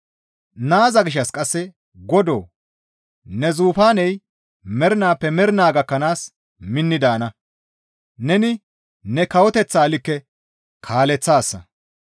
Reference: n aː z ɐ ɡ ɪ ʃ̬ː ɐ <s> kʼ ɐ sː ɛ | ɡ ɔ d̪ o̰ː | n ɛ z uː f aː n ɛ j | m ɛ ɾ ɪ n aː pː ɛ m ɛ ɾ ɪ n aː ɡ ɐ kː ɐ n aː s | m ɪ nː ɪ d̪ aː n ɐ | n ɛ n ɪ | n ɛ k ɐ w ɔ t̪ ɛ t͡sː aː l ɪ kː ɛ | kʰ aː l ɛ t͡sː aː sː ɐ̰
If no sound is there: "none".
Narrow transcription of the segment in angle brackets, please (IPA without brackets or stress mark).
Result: s